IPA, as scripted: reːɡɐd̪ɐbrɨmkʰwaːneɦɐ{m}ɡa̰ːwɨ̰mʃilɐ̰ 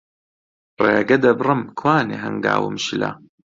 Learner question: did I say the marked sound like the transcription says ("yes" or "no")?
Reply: no